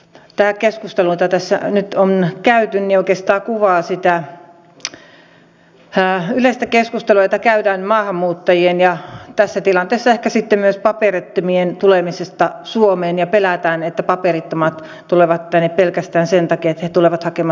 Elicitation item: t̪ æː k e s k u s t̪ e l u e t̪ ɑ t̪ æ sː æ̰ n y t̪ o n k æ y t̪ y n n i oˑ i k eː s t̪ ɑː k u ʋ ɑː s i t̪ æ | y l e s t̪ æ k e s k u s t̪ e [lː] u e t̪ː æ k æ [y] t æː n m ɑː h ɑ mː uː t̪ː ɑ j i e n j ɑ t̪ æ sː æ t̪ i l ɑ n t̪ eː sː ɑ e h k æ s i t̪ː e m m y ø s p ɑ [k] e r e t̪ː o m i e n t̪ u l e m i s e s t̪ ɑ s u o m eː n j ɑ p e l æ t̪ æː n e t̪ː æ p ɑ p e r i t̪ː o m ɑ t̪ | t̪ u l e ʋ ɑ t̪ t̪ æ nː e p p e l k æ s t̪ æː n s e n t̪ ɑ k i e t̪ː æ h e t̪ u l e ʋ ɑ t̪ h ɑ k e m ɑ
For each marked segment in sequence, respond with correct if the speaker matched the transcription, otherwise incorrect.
incorrect: l, correct, incorrect: p

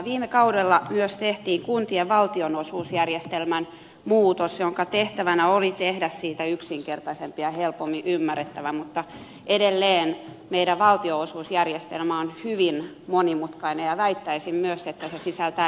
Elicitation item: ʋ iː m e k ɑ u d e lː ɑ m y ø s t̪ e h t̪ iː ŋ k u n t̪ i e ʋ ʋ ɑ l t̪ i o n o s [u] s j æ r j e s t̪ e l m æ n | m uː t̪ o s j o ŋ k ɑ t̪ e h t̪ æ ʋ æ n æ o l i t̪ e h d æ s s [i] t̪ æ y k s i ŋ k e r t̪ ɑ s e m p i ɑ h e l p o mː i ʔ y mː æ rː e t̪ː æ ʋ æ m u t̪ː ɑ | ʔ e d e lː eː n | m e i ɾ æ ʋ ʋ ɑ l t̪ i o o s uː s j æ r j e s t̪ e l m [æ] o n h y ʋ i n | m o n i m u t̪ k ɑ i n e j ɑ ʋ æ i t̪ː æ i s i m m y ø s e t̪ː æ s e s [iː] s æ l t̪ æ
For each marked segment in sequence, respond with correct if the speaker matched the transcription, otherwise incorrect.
incorrect: uː, incorrect: iː, correct, incorrect: i

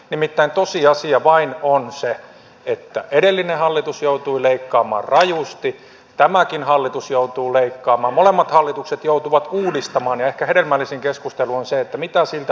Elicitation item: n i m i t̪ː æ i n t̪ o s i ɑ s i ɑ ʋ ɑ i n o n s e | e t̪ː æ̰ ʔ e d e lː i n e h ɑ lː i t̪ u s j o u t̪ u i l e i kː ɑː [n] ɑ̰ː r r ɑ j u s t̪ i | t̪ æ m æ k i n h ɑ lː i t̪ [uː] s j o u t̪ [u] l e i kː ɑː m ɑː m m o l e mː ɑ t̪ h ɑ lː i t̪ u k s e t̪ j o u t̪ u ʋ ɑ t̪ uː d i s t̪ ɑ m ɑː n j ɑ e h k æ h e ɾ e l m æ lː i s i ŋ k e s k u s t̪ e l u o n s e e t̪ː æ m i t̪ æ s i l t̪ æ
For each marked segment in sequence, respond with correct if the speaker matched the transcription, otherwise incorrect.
incorrect: m, incorrect: u, incorrect: uː

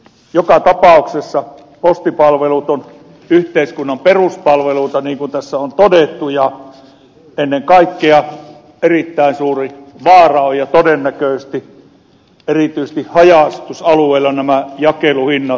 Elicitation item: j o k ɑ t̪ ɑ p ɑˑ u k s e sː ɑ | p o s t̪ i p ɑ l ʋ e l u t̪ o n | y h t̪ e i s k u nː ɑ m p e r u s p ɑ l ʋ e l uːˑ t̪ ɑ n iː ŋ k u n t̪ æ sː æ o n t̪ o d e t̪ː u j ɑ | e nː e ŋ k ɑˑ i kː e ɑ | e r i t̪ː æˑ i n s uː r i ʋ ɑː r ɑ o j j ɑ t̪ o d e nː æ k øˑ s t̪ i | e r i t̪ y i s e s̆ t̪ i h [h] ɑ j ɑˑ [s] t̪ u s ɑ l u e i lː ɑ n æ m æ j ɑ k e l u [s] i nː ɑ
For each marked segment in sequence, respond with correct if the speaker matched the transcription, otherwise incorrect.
correct, correct, incorrect: h

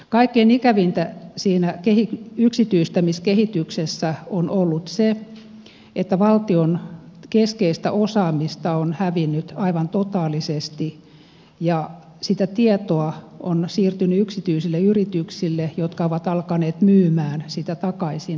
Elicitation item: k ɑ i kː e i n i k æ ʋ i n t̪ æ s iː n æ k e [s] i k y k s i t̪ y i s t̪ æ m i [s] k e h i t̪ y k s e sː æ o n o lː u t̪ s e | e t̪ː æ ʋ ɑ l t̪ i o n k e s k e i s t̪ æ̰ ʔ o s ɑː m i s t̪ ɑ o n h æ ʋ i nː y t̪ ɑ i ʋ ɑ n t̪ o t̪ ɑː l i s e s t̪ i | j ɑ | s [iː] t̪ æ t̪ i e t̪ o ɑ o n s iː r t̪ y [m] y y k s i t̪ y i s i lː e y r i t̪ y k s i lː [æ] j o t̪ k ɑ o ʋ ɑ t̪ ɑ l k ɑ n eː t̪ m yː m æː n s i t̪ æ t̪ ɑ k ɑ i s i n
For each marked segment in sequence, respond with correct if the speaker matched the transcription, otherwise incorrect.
incorrect: h, correct, incorrect: i, incorrect: n, incorrect: e

